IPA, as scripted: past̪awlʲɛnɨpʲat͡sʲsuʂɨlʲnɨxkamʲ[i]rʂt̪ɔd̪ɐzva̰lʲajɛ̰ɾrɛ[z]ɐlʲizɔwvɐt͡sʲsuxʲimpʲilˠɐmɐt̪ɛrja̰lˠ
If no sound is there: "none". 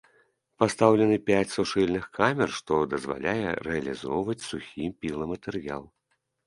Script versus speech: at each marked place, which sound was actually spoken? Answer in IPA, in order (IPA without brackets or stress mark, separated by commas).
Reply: ɛ, none